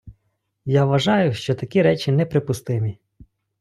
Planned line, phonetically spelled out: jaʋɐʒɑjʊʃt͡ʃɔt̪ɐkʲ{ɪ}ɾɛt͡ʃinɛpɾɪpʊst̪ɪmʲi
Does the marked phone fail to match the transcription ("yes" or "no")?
yes